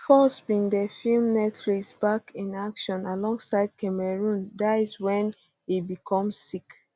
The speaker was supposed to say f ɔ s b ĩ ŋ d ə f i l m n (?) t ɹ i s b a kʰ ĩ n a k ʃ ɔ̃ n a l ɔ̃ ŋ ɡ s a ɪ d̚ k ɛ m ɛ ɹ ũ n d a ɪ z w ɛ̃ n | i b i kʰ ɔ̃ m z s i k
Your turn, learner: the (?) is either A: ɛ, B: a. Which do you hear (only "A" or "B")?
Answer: A